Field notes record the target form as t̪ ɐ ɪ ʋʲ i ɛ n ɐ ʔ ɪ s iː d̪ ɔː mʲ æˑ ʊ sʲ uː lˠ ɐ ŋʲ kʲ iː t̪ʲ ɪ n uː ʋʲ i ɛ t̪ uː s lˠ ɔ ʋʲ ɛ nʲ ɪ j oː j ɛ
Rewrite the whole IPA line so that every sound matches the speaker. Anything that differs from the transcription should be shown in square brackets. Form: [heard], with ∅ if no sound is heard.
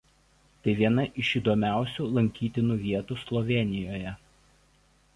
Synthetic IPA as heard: t̪ ɐ ɪ ʋʲ i ɛ n ɐ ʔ ɪ [ʃ] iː d̪ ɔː mʲ æˑ ʊ sʲ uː lˠ ɐ ŋʲ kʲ iː t̪ʲ ɪ n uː ʋʲ i ɛ t̪ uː s lˠ ɔ ʋʲ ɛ nʲ ɪ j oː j ɛ